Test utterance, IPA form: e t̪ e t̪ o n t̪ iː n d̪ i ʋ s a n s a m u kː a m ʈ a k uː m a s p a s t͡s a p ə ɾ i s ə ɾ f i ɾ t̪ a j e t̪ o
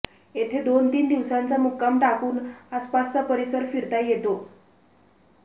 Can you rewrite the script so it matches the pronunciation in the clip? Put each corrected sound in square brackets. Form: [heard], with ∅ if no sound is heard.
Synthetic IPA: e [t̪ʰ] e [d̪] o n t̪ iː n d̪ i ʋ s a n [t͡s] a m u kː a m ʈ a k uː [n] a s p a s t͡s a p ə ɾ i s ə ɾ f i ɾ t̪ a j e t̪ o